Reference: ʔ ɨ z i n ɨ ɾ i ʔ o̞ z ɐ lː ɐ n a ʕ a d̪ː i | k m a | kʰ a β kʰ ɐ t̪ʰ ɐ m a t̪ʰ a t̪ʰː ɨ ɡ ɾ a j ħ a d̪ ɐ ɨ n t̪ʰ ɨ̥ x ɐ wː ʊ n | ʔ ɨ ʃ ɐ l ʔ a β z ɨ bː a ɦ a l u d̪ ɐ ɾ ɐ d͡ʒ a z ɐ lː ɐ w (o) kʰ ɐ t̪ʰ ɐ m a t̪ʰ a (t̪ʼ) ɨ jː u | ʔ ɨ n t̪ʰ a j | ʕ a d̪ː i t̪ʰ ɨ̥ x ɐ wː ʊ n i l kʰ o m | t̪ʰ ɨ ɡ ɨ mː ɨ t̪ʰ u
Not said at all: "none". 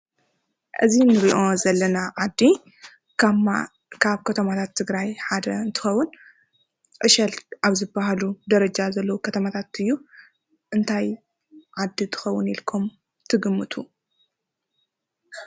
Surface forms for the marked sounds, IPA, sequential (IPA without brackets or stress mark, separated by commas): u, t̪